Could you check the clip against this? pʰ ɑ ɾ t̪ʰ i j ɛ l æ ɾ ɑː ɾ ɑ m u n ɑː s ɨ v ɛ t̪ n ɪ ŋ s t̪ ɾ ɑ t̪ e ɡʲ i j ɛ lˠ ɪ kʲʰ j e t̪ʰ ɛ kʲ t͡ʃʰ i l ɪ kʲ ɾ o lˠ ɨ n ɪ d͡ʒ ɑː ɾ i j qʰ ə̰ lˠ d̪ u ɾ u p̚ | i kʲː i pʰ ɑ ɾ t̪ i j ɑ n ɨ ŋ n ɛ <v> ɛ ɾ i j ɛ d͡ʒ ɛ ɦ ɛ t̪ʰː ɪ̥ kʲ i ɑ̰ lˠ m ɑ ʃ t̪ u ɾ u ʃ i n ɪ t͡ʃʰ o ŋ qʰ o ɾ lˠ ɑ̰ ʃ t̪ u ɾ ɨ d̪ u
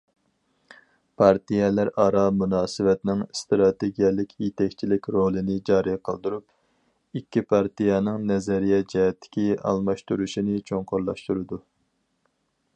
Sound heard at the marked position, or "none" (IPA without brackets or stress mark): z